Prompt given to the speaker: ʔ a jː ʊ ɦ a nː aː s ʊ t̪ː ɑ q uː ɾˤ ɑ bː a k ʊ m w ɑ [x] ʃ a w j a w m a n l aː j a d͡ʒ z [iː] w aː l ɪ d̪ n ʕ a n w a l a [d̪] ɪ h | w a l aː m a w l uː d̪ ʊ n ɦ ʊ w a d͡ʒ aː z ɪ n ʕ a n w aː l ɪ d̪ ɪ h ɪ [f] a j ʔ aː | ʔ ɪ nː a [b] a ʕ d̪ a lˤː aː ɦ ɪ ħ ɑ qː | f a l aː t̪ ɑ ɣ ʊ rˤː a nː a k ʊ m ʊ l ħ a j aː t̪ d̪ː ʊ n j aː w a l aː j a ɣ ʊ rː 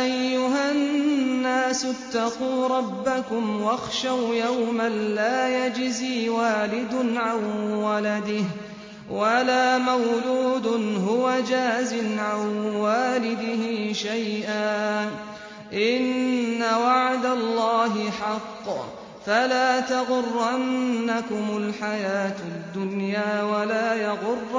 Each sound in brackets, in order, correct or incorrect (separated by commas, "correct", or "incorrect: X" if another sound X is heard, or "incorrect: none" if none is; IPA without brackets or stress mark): correct, correct, correct, incorrect: ʃ, incorrect: w